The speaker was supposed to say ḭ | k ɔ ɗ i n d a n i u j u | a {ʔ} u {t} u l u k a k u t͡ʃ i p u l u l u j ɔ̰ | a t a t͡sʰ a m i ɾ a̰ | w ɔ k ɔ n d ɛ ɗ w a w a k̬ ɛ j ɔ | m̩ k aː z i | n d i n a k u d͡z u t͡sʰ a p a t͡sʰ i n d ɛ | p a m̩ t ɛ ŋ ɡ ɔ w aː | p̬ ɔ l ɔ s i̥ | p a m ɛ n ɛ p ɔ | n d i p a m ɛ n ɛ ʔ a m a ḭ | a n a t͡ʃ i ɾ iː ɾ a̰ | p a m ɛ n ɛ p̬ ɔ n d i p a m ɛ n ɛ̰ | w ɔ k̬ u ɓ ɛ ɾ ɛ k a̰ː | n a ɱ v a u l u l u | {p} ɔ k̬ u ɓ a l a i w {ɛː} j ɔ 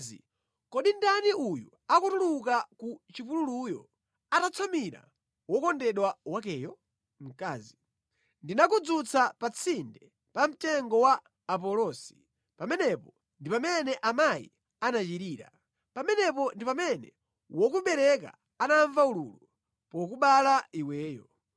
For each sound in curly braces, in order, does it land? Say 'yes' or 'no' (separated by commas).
no, yes, yes, yes